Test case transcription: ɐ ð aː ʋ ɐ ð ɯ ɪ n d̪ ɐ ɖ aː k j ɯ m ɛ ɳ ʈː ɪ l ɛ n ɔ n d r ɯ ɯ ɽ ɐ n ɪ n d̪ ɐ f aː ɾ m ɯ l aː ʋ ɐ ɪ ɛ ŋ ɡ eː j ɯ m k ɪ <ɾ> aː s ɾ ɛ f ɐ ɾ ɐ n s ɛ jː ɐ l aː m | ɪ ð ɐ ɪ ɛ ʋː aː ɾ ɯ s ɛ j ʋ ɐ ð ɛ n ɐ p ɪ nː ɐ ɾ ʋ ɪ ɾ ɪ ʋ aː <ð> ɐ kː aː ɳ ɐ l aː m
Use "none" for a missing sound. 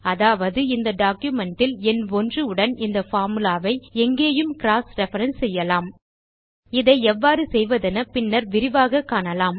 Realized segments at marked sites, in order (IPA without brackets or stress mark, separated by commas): ɾ, ɣ